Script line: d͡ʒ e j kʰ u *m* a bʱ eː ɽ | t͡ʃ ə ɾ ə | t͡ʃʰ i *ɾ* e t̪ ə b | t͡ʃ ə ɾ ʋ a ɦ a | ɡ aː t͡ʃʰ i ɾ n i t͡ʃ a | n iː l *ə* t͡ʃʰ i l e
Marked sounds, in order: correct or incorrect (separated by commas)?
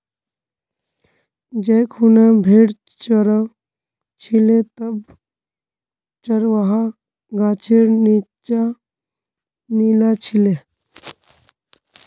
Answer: incorrect, incorrect, incorrect